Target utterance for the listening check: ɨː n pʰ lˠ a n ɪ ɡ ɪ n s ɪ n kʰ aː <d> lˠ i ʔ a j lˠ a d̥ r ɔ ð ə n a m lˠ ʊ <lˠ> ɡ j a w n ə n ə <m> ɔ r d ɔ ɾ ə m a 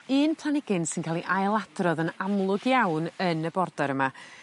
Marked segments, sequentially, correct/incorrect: incorrect, incorrect, incorrect

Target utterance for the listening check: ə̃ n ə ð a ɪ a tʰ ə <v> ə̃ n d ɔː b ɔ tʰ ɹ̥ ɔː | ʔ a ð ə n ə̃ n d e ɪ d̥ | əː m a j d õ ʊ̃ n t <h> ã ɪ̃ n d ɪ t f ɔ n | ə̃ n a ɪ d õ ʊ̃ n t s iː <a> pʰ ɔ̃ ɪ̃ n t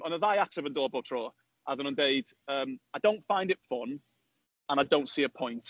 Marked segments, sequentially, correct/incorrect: correct, incorrect, incorrect

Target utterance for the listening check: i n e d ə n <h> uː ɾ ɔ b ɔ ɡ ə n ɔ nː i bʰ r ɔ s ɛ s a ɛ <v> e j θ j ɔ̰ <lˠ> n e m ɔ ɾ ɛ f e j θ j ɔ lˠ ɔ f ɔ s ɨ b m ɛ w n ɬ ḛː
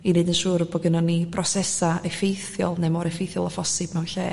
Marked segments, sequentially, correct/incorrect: incorrect, incorrect, correct

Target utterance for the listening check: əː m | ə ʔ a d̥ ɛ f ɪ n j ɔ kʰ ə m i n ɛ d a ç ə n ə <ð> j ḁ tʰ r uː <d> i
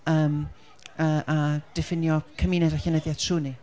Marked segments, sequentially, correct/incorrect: correct, incorrect

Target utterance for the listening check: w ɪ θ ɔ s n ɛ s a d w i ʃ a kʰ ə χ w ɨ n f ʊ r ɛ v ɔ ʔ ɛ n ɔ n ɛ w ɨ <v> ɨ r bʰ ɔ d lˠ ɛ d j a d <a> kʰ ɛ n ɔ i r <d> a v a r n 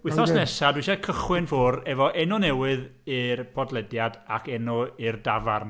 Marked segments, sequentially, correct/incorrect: incorrect, correct, correct

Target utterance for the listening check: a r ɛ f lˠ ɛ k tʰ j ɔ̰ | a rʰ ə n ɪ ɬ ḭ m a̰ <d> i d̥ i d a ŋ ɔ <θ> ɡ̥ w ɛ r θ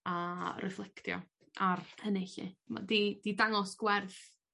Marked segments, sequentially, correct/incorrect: correct, incorrect

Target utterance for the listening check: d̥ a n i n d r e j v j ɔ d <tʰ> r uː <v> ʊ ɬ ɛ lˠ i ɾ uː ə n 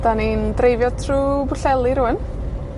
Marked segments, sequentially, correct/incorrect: correct, incorrect

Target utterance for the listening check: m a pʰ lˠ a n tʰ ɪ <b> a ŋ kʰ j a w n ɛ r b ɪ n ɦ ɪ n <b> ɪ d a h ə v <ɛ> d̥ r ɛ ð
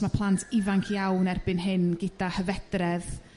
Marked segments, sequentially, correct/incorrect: incorrect, incorrect, correct

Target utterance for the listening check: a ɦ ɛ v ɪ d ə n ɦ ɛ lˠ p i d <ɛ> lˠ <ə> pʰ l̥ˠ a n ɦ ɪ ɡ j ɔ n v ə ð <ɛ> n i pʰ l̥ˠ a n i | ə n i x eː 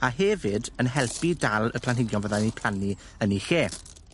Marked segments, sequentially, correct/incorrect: incorrect, correct, incorrect

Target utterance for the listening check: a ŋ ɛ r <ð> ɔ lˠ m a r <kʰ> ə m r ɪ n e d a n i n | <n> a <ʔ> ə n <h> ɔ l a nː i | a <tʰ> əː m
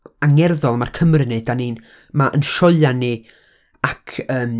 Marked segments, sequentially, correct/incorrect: correct, correct, incorrect, correct, incorrect, incorrect

